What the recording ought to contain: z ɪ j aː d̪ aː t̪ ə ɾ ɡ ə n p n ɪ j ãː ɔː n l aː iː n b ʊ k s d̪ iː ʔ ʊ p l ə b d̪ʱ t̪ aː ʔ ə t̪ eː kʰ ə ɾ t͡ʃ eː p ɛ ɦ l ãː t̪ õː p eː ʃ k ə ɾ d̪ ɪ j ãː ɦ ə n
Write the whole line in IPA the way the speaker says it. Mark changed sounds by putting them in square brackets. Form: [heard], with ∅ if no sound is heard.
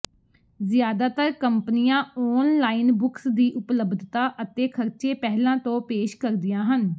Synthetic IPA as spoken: z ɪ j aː d̪ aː t̪ ə ɾ [k] ə [m] p n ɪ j ãː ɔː n l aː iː n b ʊ k s d̪ iː ʔ ʊ p l ə b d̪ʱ t̪ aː ʔ ə t̪ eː kʰ ə ɾ t͡ʃ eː p ɛ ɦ l ãː t̪ õː p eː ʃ k ə ɾ d̪ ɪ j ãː ɦ ə n